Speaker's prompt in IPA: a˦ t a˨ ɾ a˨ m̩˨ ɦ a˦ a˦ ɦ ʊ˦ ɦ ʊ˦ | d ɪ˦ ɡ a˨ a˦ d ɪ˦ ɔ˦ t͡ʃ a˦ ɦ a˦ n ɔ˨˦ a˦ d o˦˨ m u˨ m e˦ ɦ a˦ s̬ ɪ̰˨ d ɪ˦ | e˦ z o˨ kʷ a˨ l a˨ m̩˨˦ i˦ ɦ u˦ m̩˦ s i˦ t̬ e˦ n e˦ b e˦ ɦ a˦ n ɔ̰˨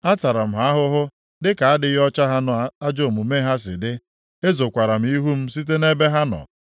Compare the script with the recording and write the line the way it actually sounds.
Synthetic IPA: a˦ t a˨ ɾ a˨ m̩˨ ɦ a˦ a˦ ɦ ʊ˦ ɦ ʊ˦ | d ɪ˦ k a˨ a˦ d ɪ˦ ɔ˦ t͡ʃ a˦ ɦ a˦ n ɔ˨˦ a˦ d͡ʒ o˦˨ m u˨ m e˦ ɦ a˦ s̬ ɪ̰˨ d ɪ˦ | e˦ z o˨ kʷ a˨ ɾ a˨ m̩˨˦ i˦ ɦ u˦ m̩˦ s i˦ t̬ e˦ n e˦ b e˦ ɦ a˦ n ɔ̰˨